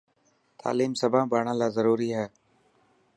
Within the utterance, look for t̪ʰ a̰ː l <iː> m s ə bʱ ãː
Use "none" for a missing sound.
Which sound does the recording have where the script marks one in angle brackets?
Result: iː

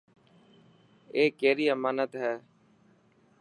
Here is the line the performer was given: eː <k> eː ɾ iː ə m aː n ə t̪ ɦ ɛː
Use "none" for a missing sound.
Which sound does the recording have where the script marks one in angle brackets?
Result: k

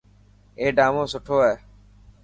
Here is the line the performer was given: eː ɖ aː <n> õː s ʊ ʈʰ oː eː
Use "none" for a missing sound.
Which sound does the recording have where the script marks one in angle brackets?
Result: m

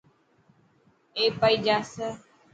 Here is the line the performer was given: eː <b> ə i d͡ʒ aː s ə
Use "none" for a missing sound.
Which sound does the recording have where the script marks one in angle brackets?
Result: p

